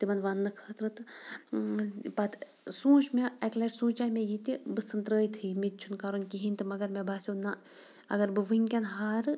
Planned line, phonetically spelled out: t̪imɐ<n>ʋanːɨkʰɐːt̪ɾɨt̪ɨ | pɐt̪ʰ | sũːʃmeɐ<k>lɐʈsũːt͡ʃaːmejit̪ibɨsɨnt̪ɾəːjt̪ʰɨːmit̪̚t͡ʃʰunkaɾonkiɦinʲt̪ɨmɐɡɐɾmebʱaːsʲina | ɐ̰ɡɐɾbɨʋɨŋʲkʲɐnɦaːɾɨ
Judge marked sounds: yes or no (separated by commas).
yes, yes